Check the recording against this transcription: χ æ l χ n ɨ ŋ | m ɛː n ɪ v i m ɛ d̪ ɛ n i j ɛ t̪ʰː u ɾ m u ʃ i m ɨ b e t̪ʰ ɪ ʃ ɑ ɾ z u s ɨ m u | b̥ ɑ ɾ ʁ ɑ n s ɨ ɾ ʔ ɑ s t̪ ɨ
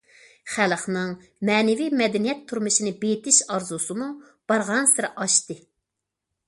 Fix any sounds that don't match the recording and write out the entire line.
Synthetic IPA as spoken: χ æ l χ n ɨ ŋ | m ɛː n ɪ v i m ɛ d̪ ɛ n i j ɛ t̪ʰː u ɾ m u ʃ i n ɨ b e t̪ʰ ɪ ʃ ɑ ɾ z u s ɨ m u | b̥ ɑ ɾ ʁ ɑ n s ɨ ɾ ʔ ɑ ʃ t̪ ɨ